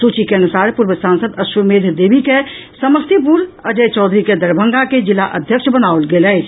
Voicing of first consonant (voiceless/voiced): voiceless